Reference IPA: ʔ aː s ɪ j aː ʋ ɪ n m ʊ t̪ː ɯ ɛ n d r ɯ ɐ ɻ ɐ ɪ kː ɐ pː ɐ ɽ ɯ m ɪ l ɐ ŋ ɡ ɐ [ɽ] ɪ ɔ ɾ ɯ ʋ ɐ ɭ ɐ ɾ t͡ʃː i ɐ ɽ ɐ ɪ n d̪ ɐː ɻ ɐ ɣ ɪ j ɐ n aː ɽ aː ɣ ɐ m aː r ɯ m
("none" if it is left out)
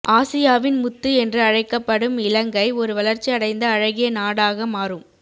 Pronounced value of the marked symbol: none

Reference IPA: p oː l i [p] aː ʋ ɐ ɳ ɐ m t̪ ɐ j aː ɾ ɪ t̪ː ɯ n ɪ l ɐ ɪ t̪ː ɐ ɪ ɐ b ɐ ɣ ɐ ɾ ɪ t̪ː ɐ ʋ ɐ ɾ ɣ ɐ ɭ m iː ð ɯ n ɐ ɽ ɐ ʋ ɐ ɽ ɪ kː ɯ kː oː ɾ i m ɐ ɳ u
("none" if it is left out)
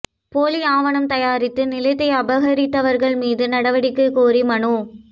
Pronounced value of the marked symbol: none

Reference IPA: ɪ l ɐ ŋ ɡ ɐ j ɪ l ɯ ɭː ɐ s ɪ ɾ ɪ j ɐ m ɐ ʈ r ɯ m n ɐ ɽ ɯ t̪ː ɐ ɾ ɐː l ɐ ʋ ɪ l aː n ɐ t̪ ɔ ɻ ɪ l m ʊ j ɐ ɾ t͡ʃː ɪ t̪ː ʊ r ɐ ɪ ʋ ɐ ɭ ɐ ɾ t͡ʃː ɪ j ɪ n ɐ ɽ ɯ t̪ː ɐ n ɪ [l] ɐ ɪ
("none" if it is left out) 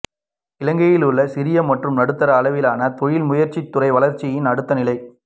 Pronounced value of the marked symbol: l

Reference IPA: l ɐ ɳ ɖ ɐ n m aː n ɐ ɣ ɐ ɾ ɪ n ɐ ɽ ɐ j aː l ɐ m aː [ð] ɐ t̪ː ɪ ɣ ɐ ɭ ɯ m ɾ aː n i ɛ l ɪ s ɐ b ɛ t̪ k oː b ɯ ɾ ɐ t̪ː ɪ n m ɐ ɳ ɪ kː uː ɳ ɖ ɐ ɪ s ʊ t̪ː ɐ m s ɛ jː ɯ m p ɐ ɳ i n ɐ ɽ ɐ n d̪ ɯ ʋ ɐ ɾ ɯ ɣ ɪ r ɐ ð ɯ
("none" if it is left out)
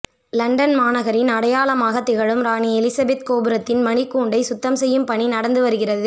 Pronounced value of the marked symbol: ɣ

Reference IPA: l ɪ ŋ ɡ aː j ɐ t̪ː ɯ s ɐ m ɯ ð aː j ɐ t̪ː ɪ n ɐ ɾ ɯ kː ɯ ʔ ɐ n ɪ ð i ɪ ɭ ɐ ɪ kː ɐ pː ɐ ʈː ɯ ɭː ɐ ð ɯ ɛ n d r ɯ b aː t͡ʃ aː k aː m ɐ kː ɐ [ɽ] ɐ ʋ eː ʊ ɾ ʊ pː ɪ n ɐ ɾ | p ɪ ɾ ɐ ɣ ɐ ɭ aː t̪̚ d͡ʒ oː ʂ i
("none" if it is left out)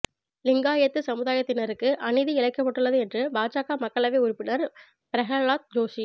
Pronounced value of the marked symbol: ɭ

